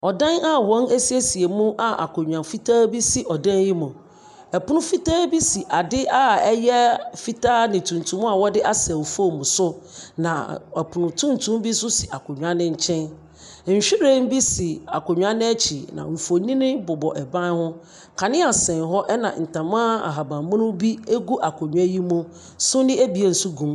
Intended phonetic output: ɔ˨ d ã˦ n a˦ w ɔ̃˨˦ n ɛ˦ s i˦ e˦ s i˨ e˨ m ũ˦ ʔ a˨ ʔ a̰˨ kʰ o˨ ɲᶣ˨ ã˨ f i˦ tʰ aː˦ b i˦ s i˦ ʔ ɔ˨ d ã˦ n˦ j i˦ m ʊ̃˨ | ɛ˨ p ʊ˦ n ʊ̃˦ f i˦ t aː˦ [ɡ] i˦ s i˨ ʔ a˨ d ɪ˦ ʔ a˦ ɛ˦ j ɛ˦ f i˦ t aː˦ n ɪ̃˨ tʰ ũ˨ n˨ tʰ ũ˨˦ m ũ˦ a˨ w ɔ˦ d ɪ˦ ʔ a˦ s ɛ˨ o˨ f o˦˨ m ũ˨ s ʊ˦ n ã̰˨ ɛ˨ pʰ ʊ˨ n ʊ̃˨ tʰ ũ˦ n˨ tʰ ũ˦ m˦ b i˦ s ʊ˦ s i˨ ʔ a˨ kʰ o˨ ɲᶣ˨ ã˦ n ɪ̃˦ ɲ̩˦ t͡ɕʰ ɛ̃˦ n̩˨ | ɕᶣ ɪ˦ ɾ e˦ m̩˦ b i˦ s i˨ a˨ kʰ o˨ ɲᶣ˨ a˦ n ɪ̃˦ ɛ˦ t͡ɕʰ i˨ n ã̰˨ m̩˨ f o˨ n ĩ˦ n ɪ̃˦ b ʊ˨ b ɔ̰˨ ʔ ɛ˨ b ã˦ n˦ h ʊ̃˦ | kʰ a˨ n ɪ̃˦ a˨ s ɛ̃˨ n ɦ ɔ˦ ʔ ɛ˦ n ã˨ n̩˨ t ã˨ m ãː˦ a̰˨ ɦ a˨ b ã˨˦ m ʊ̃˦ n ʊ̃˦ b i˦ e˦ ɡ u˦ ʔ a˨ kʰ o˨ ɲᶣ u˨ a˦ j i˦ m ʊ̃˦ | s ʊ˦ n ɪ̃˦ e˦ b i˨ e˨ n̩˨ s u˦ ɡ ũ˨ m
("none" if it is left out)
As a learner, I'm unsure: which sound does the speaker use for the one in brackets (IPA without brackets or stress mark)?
b